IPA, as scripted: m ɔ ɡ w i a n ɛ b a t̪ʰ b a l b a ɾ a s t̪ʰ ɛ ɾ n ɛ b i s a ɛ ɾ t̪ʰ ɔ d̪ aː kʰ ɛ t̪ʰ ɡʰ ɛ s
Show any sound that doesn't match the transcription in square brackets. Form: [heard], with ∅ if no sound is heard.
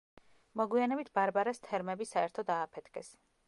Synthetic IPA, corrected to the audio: m ɔ ɡ w i a n ɛ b [i] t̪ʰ b a [ɾ] b a ɾ a s t̪ʰ ɛ ɾ [m] ɛ b i s a ɛ ɾ t̪ʰ ɔ d̪ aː [pʰ] ɛ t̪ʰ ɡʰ ɛ s